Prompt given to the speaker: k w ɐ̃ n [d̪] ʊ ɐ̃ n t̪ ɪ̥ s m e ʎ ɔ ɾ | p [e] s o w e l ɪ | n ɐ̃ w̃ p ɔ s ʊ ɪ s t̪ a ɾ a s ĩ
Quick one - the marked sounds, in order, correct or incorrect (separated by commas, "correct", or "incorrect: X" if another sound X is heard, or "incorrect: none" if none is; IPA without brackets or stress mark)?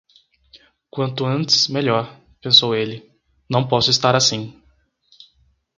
incorrect: t̪, incorrect: ẽ